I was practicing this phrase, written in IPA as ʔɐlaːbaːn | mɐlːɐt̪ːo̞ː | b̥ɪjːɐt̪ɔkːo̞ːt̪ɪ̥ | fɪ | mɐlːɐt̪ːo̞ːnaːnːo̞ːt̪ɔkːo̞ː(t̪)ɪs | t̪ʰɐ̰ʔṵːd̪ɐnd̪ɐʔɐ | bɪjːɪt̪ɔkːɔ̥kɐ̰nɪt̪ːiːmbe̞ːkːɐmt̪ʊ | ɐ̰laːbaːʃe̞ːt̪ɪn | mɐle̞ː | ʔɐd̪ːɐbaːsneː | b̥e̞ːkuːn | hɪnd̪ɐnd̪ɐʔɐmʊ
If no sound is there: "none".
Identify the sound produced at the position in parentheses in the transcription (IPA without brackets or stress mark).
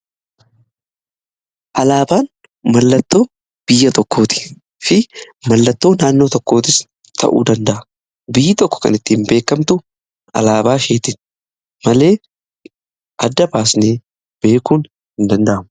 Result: t̪